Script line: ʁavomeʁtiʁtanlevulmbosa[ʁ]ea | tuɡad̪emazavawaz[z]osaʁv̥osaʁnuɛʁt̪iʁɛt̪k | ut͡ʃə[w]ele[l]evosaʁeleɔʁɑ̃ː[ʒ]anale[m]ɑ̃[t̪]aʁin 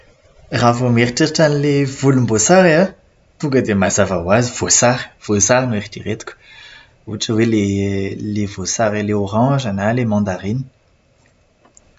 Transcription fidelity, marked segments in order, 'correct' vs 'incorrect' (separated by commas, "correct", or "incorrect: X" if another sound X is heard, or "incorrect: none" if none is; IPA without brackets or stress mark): correct, incorrect: v, correct, correct, correct, correct, incorrect: d̪